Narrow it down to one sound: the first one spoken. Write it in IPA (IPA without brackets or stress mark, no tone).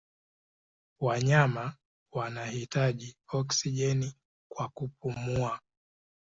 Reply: w